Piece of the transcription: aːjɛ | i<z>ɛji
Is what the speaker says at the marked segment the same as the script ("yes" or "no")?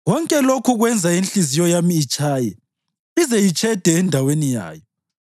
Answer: yes